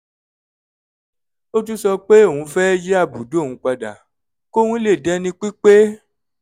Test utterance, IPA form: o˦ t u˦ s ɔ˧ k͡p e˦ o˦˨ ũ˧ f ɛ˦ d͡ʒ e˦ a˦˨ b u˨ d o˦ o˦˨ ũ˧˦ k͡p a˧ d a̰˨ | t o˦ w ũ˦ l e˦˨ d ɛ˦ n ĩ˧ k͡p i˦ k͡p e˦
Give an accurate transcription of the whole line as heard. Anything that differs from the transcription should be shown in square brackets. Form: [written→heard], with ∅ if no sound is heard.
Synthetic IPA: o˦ t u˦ s ɔ˧ k͡p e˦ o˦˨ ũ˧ f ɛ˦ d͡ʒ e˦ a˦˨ b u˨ d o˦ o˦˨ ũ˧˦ k͡p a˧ d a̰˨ | [t→k] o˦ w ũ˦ l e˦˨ d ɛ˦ n ĩ˧ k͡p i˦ k͡p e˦